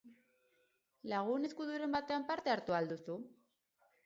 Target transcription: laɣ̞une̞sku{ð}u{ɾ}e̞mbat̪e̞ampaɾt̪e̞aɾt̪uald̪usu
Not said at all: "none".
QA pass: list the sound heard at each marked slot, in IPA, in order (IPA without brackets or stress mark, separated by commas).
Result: ð, ɾ